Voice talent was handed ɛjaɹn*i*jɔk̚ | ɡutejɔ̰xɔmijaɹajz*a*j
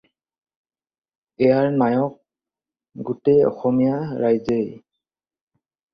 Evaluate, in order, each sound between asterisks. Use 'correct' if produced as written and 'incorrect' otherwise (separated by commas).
incorrect, incorrect